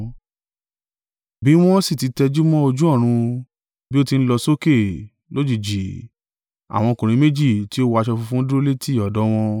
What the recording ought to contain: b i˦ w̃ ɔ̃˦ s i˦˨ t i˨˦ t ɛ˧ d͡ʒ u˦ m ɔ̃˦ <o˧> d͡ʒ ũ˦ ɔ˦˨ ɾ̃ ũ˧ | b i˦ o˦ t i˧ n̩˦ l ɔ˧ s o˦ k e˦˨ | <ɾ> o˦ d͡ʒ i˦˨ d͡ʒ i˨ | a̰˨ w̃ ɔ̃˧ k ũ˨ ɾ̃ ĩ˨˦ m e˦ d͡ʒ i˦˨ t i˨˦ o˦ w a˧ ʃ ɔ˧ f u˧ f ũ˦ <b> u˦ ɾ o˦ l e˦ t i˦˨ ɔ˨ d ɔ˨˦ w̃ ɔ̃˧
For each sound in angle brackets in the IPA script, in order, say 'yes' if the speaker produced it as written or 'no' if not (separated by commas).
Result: yes, no, no